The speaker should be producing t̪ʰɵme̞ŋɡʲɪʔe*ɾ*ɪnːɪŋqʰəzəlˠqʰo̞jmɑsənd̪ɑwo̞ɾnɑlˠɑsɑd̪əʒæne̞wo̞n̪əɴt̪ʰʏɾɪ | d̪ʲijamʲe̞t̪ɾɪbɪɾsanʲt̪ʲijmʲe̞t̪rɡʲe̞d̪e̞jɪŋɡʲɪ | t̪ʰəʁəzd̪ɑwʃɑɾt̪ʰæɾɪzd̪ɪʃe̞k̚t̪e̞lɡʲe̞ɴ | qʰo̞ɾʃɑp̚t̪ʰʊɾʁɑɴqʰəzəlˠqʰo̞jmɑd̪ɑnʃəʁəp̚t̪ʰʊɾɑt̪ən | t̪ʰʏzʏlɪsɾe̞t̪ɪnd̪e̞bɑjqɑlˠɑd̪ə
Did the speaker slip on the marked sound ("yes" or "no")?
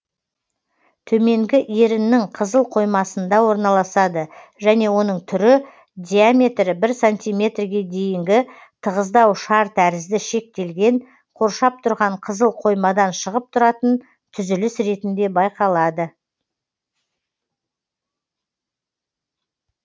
no